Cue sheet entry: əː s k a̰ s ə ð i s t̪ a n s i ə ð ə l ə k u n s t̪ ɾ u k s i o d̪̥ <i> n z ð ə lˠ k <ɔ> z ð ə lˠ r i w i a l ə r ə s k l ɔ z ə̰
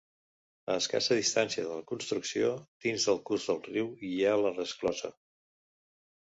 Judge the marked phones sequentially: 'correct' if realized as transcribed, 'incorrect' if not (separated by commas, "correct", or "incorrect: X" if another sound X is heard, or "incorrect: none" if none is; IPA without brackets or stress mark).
correct, incorrect: u